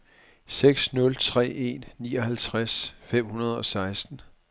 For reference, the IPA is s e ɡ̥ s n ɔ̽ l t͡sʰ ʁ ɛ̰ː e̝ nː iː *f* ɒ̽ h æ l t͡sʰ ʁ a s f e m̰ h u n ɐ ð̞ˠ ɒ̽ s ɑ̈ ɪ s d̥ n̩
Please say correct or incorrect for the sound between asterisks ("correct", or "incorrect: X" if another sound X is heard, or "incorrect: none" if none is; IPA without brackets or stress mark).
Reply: incorrect: none